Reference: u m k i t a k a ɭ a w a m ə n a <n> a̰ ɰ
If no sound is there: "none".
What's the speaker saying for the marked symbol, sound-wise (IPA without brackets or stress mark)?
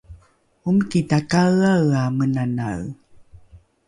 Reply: n